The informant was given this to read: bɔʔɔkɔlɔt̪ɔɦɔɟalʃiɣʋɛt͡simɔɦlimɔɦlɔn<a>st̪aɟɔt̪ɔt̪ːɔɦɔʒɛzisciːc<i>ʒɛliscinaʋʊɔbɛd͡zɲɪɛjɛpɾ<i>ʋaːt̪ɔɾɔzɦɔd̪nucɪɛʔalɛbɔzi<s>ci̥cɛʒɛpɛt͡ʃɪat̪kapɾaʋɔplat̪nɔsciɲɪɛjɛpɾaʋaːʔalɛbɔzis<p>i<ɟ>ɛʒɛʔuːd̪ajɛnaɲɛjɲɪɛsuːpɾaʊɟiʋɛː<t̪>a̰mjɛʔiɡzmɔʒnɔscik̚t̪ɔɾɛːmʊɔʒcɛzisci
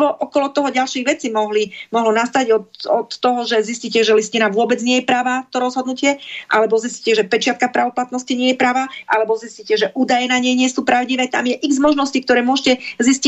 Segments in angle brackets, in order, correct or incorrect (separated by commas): correct, incorrect, incorrect, correct, incorrect, incorrect, correct